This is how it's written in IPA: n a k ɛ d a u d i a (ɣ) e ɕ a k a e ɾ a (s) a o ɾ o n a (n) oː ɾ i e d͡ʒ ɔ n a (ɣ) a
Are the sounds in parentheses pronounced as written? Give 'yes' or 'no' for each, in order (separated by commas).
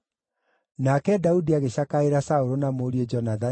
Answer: yes, yes, no, no